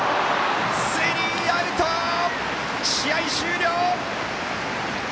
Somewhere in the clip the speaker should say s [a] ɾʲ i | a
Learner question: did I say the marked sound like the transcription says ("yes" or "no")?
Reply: no